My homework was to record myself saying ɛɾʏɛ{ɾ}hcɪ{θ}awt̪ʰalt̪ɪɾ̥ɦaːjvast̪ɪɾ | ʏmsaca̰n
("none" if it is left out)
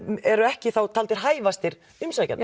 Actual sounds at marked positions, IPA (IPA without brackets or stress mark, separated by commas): none, θ